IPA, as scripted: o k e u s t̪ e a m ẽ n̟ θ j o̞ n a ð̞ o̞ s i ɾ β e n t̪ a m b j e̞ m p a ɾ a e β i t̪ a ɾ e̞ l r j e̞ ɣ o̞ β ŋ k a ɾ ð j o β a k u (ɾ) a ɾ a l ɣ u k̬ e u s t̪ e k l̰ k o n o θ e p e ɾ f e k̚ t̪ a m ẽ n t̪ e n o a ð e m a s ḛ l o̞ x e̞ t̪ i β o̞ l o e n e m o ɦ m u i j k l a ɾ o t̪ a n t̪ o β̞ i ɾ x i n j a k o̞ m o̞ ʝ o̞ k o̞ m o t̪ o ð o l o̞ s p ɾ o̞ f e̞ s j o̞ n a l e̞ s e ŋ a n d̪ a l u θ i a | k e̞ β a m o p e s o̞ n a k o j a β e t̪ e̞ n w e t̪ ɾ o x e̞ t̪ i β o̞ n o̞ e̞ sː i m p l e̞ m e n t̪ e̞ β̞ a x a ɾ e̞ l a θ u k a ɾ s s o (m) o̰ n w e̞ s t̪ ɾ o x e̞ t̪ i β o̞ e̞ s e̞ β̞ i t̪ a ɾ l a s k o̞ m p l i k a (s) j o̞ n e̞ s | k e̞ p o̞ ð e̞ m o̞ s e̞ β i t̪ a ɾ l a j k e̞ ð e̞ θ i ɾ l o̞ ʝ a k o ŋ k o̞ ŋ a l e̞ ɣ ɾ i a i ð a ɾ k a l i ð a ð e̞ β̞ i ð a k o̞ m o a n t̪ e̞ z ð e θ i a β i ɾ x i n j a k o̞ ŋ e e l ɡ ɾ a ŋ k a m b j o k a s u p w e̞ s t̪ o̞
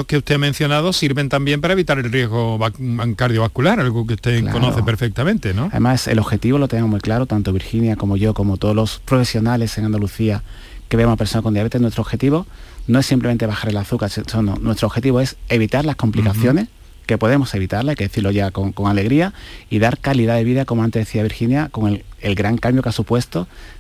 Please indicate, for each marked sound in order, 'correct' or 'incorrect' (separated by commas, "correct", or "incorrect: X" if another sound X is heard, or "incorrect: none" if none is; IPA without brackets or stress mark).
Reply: incorrect: l, incorrect: n, incorrect: θ